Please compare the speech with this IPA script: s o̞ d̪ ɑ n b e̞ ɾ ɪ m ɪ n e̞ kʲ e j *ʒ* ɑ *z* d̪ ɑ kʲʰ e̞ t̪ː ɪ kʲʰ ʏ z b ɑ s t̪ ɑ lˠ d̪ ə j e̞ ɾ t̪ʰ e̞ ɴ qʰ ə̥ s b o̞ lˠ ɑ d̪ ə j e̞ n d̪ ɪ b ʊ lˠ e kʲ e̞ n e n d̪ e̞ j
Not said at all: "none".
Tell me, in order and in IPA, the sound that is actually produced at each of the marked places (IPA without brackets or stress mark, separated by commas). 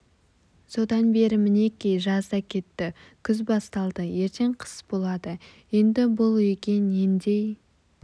ʒ, z